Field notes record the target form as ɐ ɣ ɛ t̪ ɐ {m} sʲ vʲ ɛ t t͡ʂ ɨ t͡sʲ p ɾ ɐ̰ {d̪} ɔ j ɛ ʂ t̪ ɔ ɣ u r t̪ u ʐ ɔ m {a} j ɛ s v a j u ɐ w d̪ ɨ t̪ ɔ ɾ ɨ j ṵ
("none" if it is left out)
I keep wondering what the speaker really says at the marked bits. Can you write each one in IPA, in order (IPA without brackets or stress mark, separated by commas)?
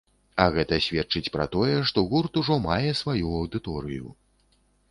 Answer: none, t̪, a